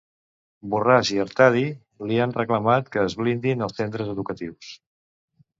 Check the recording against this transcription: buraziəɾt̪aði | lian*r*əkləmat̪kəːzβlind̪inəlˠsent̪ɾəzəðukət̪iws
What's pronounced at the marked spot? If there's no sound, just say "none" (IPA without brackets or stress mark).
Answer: r